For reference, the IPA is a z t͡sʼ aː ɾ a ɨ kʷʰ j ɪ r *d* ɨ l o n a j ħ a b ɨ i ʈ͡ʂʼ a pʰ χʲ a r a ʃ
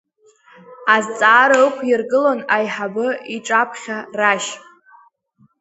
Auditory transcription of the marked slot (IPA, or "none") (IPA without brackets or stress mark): ɡ